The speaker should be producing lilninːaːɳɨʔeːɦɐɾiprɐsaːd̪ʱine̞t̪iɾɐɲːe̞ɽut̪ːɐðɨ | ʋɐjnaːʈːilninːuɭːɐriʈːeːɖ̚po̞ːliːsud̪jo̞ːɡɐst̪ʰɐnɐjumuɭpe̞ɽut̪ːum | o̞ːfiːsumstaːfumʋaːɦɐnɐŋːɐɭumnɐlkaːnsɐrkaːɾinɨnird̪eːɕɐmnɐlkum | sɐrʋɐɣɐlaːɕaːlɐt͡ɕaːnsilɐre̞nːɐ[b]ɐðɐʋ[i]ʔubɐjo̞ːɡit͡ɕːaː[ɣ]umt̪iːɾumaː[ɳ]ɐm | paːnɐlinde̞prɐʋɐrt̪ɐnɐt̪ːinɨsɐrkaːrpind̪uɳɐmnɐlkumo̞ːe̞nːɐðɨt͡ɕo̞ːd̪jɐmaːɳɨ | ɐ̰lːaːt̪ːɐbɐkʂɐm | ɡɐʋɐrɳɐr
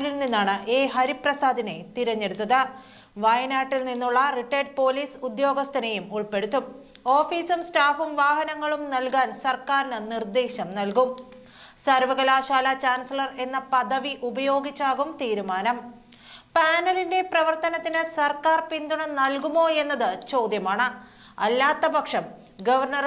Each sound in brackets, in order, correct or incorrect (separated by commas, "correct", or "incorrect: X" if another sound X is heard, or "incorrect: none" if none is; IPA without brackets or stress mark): incorrect: p, correct, correct, incorrect: n